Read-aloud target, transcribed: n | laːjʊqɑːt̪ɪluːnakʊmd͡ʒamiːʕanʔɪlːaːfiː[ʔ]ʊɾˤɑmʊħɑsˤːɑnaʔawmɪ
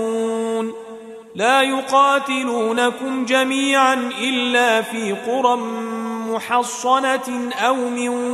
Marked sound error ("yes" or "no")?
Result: yes